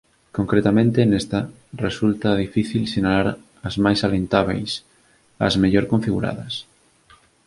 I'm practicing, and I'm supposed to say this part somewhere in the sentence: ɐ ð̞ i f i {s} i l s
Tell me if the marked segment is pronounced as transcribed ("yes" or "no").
no